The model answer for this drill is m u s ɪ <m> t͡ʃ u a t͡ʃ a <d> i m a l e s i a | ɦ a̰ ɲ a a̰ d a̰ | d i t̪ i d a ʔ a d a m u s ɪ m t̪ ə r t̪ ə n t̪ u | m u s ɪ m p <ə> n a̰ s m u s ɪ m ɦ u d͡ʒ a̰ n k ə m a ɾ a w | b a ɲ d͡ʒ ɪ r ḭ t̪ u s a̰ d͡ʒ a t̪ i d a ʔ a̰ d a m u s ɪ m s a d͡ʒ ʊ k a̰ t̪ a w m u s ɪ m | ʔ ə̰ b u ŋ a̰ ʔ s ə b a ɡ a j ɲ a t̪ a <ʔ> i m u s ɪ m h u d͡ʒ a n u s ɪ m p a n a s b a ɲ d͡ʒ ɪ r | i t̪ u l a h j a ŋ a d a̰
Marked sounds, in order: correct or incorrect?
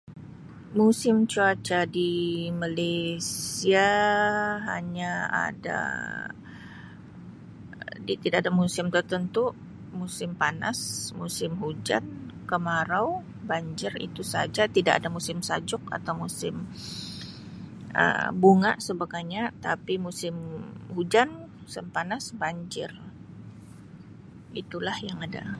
correct, correct, incorrect, incorrect

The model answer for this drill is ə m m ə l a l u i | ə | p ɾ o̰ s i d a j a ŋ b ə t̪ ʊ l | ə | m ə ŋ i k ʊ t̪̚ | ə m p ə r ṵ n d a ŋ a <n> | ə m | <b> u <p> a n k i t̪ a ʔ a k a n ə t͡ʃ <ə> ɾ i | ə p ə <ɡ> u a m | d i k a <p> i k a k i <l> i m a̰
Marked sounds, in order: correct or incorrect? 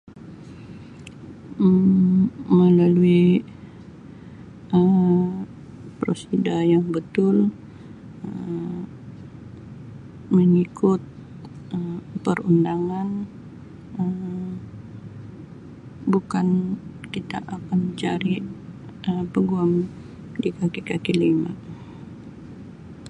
correct, correct, incorrect, incorrect, correct, incorrect, correct

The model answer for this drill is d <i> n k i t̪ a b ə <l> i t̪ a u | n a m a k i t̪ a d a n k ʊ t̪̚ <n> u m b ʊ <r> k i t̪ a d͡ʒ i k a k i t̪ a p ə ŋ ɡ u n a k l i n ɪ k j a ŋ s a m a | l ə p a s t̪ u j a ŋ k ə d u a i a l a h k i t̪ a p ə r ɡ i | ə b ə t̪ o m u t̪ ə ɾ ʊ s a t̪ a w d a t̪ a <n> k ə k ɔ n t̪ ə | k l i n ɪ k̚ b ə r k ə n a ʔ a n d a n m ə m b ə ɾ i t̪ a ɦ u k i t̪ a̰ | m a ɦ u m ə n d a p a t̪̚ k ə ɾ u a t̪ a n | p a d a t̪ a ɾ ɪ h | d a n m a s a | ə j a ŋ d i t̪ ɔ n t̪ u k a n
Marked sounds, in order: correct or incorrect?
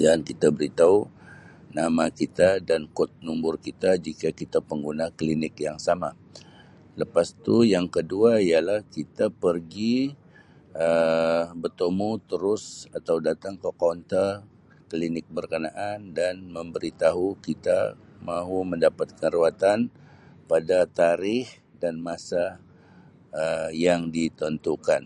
incorrect, incorrect, correct, correct, incorrect

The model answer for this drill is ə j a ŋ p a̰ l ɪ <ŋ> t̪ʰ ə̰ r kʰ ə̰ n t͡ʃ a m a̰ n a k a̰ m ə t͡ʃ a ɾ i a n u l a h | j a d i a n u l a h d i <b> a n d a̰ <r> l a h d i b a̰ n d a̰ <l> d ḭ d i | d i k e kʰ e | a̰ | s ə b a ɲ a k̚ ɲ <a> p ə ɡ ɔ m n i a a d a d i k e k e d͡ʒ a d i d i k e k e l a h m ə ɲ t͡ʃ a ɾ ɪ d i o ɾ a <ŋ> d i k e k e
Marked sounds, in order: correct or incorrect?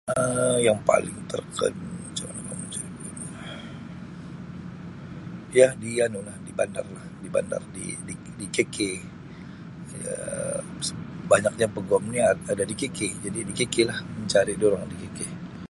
correct, correct, correct, incorrect, correct, correct

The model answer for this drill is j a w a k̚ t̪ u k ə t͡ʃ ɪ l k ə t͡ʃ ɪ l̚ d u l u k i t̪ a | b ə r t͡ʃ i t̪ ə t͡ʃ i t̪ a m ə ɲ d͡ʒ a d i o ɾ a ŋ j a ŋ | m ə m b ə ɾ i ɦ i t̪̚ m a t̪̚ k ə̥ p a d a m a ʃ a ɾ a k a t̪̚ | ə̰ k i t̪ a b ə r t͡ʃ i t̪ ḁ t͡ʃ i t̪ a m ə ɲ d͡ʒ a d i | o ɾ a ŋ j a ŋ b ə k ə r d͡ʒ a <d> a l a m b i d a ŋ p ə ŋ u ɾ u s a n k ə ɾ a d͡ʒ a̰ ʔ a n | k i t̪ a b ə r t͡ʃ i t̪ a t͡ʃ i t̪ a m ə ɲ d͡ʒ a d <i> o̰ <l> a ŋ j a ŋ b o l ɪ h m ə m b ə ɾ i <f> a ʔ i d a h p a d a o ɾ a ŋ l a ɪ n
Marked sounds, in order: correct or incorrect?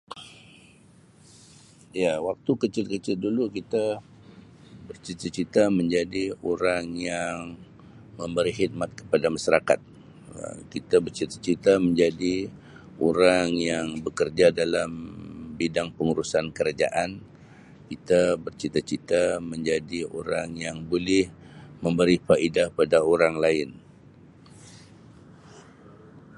correct, correct, incorrect, correct

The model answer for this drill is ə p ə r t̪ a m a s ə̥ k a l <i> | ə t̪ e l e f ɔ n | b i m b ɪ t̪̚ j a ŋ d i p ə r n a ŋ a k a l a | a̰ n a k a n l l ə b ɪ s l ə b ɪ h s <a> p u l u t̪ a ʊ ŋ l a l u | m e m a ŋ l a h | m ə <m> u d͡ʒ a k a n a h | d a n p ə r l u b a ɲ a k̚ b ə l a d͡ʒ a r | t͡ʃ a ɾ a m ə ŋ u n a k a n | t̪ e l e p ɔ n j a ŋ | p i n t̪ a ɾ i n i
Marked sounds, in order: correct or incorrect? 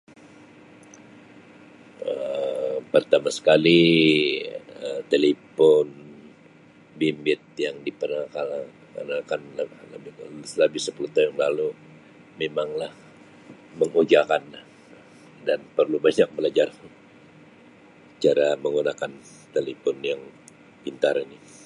correct, incorrect, incorrect

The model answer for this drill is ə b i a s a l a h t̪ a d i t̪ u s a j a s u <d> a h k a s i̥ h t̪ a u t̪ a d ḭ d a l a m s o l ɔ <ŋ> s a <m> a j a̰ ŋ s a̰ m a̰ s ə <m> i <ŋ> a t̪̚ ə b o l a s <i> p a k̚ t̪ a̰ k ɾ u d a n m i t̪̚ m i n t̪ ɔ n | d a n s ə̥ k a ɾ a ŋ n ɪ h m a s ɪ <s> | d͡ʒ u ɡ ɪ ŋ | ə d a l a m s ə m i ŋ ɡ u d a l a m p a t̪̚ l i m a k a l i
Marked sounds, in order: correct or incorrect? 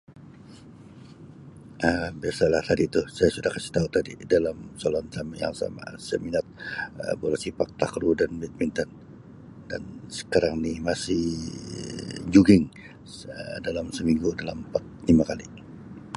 correct, incorrect, correct, correct, incorrect, correct, incorrect

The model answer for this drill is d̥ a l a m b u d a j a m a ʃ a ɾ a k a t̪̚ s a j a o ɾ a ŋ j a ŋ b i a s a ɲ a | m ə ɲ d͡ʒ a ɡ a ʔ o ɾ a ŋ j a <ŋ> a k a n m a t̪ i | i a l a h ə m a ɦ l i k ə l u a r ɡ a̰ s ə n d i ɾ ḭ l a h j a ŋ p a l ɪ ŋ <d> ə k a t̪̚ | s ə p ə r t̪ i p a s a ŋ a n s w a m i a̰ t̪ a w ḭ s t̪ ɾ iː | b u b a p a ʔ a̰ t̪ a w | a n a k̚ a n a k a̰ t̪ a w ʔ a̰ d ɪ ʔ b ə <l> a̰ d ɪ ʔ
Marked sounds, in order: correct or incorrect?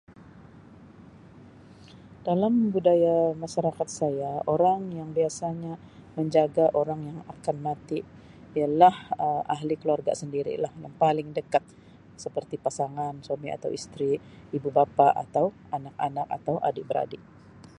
correct, correct, incorrect

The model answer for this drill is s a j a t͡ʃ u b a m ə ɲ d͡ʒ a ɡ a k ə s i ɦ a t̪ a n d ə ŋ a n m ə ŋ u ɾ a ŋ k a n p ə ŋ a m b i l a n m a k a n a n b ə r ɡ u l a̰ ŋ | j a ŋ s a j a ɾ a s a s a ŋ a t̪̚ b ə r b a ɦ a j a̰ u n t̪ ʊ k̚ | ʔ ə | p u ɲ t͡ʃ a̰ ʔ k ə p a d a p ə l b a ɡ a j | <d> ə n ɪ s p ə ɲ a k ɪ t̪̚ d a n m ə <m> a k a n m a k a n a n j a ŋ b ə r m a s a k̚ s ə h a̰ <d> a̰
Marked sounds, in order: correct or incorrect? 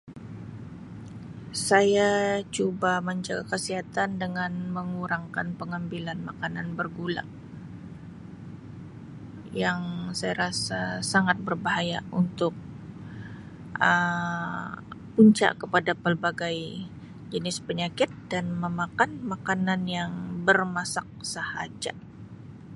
incorrect, correct, incorrect

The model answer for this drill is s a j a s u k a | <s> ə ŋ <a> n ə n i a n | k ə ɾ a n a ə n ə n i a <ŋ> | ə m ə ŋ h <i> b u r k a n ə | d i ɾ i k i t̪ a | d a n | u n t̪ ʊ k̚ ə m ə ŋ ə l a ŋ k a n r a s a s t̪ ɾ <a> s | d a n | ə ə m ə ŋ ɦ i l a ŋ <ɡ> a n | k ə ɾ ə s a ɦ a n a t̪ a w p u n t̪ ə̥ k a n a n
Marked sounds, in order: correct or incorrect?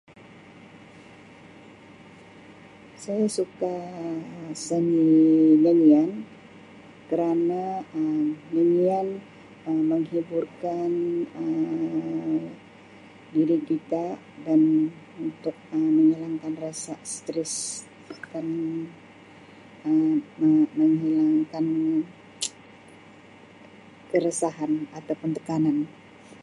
correct, incorrect, incorrect, correct, incorrect, incorrect

